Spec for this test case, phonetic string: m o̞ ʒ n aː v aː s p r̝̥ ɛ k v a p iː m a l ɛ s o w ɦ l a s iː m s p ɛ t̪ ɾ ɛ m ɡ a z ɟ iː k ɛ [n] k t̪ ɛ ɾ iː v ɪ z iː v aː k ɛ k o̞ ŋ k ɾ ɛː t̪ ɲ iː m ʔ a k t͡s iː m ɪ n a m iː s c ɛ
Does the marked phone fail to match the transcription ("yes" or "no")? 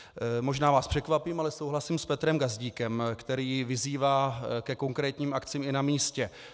yes